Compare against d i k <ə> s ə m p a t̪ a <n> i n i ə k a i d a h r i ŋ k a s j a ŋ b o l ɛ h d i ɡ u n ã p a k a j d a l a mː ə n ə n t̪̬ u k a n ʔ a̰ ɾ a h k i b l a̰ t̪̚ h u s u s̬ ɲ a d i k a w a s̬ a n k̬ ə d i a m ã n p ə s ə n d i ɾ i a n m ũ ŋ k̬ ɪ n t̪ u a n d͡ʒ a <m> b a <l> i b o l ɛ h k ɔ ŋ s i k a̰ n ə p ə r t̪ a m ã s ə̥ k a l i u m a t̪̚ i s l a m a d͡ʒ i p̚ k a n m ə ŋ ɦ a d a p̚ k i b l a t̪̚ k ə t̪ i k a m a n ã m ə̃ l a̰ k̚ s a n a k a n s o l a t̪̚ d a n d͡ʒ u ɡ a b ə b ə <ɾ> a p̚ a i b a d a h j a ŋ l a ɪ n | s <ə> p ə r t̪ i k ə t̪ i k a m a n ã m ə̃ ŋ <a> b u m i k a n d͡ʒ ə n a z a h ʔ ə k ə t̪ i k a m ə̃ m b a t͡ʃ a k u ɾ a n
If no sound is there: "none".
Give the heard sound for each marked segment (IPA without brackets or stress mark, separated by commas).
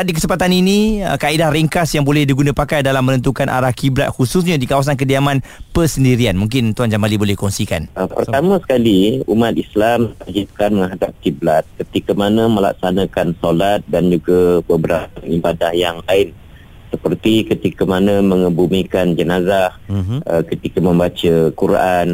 ə, n, m, l, ɾ, ə, ə